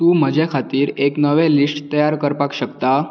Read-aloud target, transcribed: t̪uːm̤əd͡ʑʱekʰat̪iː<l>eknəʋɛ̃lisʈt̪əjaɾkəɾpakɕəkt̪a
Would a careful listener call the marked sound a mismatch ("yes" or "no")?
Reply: yes